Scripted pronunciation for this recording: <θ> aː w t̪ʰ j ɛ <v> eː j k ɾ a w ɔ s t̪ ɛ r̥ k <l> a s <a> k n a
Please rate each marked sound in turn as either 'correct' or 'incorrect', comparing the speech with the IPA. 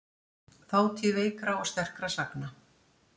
correct, correct, incorrect: ɾ, correct

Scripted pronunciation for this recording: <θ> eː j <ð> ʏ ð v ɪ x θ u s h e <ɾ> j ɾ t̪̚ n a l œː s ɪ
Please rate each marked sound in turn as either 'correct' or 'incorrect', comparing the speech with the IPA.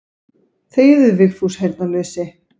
correct, correct, incorrect: none

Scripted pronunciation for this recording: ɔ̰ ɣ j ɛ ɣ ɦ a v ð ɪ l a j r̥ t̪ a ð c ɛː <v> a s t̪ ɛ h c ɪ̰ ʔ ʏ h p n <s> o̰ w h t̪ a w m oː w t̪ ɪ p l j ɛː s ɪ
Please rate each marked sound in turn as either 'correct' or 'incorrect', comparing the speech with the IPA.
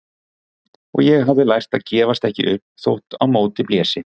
correct, incorrect: θ

